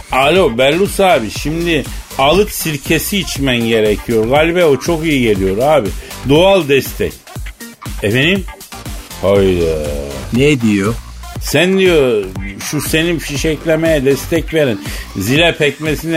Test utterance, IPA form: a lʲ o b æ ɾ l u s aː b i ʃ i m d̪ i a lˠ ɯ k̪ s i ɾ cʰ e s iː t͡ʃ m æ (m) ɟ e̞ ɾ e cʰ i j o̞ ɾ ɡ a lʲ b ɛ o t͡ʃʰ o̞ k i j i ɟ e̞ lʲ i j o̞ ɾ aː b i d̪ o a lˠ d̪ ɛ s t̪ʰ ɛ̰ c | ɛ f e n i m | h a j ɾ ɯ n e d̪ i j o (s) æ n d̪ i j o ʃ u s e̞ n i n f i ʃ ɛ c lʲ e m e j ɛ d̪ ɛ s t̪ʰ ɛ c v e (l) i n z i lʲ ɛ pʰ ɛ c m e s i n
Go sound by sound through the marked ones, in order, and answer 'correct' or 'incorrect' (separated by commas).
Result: incorrect, correct, incorrect